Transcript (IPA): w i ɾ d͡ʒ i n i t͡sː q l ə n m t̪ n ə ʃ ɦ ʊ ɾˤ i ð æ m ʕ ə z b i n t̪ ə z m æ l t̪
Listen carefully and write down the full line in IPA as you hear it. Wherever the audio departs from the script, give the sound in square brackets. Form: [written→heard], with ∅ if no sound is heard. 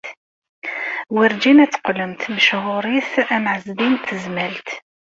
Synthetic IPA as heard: w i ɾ d͡ʒ i n [i→æ] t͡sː q l ə [n→∅] m t̪ [n→m] ə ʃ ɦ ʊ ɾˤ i [ð→θ] æ m ʕ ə z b i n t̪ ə z m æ l t̪